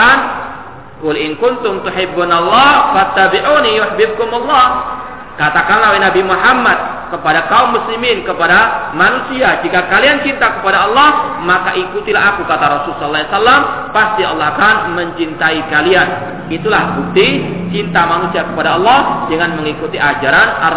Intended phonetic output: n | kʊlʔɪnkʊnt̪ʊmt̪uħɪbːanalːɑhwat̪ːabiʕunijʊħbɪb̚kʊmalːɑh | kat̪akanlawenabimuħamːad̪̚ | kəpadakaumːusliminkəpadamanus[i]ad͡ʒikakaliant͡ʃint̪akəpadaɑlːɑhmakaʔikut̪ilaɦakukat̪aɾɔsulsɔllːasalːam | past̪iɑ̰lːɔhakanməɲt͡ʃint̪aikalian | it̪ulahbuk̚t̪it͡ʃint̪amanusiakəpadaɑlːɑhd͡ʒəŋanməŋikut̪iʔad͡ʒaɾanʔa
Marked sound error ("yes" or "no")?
no